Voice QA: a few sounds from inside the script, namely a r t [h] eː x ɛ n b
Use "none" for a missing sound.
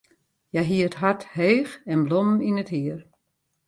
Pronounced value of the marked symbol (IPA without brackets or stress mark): h